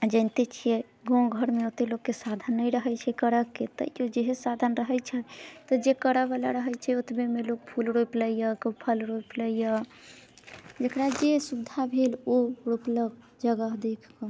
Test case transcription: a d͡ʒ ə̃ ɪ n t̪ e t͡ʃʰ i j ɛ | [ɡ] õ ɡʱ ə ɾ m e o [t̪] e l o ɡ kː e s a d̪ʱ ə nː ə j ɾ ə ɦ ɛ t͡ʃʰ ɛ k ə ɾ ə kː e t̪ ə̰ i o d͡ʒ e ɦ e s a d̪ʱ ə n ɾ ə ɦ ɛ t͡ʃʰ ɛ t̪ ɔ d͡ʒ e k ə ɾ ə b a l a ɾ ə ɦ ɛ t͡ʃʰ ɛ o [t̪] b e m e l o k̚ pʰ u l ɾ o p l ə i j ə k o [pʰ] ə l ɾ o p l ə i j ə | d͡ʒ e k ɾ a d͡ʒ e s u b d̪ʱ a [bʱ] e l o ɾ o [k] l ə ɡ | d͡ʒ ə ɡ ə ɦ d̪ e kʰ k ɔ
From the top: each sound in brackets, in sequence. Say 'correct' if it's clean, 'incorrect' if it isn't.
correct, correct, correct, correct, correct, incorrect: p

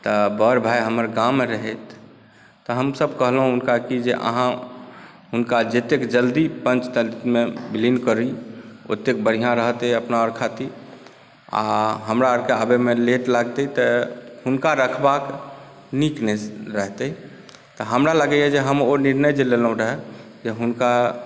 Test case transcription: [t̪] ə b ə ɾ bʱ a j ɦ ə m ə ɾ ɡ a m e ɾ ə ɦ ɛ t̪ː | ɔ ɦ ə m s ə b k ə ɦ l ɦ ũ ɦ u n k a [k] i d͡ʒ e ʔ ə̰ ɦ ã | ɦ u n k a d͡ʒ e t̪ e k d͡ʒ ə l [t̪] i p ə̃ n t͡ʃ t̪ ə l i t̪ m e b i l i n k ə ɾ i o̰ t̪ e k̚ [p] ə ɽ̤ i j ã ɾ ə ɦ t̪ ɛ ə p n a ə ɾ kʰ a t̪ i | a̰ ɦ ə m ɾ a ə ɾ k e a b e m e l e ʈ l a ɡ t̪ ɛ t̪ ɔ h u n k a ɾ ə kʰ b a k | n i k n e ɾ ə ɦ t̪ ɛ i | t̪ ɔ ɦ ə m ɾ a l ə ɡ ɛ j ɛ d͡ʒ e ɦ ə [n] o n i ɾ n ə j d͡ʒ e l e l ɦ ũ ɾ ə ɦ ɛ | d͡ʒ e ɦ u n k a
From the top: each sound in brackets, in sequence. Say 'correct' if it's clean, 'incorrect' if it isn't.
correct, correct, incorrect: d̪, incorrect: b, incorrect: m

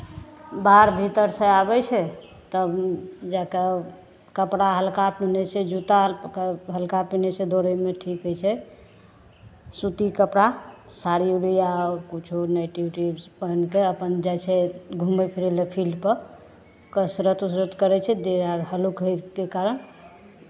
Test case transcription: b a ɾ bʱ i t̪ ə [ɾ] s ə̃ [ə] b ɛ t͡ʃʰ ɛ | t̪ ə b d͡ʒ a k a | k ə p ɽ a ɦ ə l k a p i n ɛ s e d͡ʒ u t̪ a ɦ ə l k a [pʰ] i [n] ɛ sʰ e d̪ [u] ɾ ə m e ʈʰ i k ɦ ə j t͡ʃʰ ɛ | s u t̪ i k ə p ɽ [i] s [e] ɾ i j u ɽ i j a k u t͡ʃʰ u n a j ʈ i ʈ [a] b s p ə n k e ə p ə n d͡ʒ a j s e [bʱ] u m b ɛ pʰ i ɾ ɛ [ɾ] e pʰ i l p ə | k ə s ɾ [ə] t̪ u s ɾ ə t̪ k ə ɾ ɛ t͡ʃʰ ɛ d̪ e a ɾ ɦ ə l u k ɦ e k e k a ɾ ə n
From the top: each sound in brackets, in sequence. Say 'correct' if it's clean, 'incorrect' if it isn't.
correct, incorrect: a, incorrect: p, correct, incorrect: o, incorrect: a, incorrect: a, incorrect: i, incorrect: ɡʱ, incorrect: l, correct

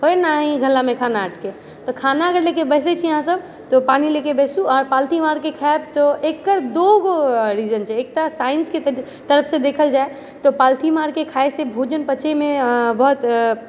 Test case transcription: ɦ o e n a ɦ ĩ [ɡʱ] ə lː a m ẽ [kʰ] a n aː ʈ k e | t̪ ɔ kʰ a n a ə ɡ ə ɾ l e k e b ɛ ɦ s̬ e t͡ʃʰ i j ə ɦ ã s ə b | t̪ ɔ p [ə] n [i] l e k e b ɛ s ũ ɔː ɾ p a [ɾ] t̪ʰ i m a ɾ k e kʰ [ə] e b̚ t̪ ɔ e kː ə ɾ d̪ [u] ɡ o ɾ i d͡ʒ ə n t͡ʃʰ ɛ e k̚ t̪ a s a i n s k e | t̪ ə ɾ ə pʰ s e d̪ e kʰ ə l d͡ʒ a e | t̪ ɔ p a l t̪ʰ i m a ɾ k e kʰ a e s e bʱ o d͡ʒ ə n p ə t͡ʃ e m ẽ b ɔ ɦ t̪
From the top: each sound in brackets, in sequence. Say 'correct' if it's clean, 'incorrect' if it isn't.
correct, correct, incorrect: a, correct, incorrect: l, incorrect: a, incorrect: o

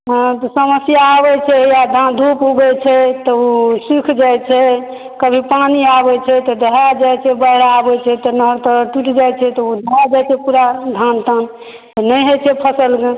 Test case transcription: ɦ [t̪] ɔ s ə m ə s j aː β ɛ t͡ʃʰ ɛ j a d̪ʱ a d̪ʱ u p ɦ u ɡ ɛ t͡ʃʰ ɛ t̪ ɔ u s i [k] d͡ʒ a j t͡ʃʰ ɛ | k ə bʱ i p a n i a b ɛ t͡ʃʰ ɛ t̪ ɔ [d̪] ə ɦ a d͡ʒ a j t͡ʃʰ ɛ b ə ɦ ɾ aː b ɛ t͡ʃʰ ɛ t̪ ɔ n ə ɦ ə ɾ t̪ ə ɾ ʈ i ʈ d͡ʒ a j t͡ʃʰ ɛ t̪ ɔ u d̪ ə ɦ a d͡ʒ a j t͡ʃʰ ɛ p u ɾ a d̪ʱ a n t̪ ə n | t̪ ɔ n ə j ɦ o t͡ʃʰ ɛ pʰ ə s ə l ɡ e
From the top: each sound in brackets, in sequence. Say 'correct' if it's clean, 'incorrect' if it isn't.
correct, incorrect: kʰ, correct

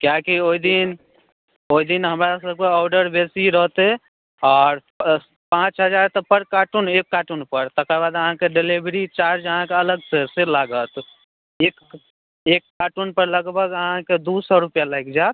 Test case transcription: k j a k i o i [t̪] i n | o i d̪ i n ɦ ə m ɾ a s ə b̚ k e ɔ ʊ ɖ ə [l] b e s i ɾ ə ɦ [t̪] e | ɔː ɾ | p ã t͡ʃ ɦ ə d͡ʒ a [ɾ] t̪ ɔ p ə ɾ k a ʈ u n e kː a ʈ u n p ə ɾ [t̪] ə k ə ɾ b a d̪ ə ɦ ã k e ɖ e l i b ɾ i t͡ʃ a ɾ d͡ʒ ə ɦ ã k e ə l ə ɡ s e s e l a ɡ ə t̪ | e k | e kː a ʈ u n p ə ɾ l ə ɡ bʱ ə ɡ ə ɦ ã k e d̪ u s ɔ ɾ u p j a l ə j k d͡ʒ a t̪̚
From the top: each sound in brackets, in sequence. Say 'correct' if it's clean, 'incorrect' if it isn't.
incorrect: d̪, incorrect: ɾ, correct, correct, correct

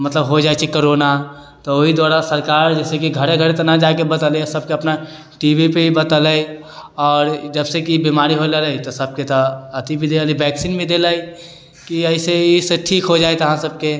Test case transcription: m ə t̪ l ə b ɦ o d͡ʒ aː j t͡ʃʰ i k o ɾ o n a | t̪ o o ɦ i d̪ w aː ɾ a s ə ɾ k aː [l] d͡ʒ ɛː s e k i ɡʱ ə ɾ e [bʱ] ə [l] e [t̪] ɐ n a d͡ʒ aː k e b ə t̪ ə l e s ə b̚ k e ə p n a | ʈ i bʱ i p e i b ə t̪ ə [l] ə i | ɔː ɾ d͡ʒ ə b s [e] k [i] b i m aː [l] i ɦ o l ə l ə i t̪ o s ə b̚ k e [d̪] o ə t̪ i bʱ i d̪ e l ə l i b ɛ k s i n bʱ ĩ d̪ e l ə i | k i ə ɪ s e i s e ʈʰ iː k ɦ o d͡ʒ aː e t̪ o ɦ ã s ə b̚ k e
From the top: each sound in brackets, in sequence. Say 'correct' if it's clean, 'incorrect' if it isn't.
incorrect: ɾ, incorrect: ɡʱ, incorrect: ɾ, correct, correct, correct, correct, incorrect: ɾ, incorrect: t̪

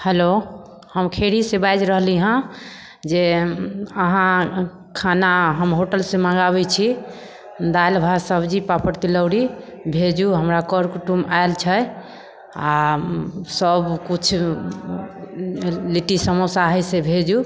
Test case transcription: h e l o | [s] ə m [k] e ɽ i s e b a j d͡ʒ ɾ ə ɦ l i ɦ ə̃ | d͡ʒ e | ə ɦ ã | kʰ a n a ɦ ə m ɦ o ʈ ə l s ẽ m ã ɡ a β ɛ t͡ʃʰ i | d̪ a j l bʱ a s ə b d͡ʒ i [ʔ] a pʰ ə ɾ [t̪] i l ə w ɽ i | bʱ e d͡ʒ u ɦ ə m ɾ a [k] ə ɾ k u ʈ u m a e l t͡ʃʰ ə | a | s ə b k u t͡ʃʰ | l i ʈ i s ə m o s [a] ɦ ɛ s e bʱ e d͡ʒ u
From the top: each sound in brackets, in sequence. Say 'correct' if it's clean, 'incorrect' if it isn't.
incorrect: h, incorrect: kʰ, incorrect: p, correct, correct, correct

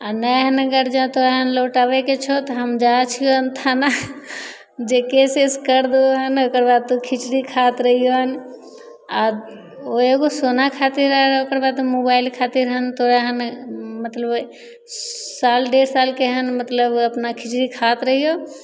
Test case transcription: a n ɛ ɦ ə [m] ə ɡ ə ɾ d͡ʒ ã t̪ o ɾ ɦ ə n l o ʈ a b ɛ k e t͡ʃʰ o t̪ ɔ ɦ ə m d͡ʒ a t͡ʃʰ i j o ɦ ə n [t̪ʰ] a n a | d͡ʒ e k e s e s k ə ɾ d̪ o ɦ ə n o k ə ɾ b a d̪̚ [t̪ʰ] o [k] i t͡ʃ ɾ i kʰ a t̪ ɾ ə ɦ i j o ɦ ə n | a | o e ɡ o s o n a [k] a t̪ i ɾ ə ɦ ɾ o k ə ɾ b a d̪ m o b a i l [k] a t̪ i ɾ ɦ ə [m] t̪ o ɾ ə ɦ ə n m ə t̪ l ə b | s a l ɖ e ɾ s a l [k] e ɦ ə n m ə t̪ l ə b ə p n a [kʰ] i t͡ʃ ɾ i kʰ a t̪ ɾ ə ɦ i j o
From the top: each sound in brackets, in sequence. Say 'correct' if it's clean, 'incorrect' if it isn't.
incorrect: n, correct, incorrect: t̪, incorrect: kʰ, incorrect: kʰ, incorrect: kʰ, incorrect: n, correct, correct

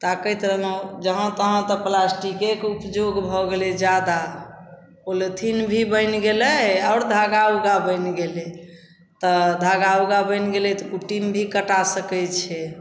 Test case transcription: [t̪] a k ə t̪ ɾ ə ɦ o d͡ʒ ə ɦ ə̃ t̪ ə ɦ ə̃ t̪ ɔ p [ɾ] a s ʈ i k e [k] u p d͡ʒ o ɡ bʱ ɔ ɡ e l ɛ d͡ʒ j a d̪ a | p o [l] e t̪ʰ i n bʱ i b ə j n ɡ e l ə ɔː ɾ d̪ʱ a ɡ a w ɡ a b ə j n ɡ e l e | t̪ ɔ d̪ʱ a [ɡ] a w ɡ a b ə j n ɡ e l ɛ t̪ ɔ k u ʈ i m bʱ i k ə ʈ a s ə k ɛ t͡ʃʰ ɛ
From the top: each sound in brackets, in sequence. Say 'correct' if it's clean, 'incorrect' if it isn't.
correct, incorrect: l, correct, correct, correct

